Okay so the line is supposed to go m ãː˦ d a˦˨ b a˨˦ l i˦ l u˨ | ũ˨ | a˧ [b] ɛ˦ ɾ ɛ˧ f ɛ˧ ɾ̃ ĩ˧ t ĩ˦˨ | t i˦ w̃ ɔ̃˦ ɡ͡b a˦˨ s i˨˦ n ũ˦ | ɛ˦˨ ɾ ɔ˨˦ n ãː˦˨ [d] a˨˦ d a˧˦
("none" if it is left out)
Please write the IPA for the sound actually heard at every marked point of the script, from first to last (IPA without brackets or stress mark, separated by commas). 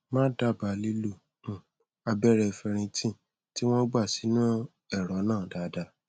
b, d